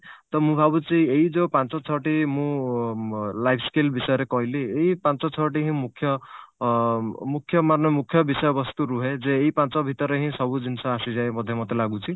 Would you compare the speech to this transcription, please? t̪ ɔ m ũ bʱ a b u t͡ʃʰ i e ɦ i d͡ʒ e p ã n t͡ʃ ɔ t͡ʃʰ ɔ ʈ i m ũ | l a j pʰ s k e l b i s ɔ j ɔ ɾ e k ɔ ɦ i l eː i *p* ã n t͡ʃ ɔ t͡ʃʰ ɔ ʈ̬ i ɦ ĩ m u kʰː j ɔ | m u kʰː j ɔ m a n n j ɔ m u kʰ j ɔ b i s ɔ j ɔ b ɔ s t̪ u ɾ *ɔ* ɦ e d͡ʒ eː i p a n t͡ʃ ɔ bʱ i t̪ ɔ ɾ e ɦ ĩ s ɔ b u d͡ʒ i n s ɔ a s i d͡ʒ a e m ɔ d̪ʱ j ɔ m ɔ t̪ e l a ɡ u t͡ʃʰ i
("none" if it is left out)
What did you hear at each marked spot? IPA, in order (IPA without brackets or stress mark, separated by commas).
p, u